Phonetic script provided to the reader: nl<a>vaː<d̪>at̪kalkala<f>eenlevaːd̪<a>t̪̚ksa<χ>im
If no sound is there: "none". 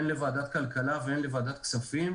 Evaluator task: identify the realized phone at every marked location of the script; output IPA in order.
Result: e, d̪, v, a, f

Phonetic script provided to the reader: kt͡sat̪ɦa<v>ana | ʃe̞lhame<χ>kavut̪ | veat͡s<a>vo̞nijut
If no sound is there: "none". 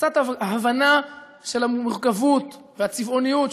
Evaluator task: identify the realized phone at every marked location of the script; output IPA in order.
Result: v, ʁ, i

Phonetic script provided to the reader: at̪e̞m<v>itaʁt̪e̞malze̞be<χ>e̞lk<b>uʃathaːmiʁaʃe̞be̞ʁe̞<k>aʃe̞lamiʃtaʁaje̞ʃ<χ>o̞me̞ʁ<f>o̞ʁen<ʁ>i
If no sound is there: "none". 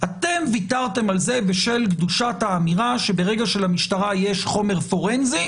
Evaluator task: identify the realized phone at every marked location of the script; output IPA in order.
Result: v, ʃ, d, ɡ, χ, f, z

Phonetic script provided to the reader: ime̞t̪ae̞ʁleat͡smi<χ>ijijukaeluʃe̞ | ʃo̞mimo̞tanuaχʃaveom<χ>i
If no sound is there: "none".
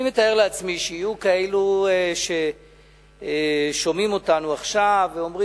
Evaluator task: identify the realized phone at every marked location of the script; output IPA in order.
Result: ʃ, ʁ

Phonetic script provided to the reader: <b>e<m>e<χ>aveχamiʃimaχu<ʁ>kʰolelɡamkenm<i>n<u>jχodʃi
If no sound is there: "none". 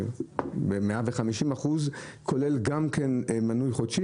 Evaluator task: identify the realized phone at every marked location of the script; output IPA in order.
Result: b, m, none, z, a, u

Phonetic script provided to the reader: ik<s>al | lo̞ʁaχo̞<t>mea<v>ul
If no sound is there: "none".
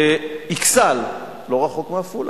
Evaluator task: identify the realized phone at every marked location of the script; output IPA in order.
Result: s, k, f

